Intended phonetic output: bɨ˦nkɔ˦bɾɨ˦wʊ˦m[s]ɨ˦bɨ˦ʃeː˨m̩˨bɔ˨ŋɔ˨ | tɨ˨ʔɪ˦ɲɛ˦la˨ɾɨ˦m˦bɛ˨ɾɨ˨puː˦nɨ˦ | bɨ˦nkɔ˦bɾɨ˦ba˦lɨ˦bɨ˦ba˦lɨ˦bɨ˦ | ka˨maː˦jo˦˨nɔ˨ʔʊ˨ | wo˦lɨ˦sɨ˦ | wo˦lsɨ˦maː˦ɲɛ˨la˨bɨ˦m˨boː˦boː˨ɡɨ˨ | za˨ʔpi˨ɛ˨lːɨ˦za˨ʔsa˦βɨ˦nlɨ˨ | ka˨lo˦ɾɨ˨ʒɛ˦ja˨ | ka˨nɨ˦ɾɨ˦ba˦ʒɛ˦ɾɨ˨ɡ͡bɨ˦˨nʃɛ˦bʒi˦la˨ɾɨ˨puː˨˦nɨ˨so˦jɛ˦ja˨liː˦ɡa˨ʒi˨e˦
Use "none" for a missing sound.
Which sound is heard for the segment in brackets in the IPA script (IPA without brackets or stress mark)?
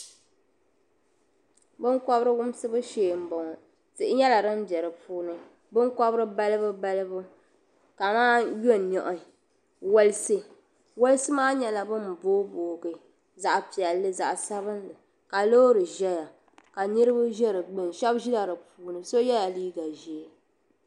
s